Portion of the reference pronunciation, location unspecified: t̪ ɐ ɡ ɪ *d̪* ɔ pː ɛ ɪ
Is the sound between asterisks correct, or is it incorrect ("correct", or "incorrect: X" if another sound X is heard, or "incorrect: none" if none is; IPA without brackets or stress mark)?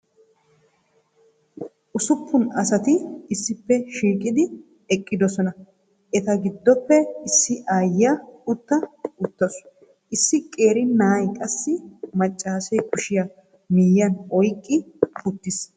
incorrect: d̪ː